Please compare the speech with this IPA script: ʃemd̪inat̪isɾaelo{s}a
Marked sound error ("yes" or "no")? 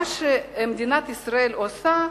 no